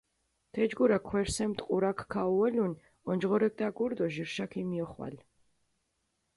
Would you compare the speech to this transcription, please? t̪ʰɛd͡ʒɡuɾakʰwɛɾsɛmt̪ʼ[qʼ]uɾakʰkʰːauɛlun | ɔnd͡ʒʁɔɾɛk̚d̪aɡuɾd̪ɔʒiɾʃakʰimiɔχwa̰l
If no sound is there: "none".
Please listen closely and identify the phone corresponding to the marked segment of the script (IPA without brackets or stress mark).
qʼ